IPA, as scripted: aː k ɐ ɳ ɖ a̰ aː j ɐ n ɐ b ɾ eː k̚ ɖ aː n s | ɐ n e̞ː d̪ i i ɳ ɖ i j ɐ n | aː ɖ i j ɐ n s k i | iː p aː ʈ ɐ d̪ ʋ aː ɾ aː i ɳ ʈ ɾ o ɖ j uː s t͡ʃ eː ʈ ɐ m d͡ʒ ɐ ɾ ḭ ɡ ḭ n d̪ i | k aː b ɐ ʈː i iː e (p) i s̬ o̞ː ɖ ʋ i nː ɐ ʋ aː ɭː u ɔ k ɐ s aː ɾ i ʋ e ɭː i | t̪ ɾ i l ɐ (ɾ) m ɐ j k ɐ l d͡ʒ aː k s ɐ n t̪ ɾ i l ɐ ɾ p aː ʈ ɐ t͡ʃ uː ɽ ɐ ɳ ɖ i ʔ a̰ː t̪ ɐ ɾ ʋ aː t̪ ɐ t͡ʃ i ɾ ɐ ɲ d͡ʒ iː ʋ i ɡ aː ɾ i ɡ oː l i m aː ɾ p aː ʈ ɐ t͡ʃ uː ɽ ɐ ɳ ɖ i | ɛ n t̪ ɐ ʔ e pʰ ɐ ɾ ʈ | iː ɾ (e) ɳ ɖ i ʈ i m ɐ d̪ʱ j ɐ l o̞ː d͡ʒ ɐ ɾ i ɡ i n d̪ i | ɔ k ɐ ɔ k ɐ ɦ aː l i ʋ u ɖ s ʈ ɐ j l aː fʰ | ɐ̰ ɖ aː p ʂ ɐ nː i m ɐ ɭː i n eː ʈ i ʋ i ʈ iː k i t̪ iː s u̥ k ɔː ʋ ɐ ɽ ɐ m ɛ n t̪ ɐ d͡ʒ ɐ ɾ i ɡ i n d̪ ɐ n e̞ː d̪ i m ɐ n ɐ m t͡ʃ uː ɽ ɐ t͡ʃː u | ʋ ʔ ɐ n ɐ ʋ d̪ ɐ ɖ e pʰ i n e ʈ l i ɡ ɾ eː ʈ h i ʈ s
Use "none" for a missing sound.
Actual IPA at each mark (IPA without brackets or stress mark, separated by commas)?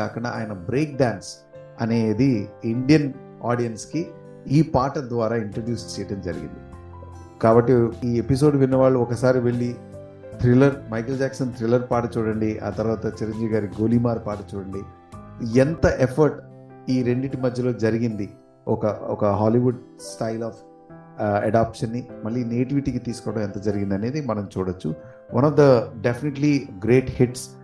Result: p, ɾ, e